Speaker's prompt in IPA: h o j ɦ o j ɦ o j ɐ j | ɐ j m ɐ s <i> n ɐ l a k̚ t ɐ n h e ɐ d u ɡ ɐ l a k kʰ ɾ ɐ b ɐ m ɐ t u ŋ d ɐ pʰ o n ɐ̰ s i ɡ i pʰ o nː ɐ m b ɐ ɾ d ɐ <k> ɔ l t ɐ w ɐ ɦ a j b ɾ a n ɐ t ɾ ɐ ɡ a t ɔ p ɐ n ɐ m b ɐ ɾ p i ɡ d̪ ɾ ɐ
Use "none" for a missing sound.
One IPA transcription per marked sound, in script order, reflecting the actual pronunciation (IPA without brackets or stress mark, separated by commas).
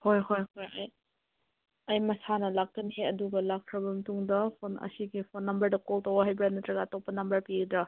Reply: a, k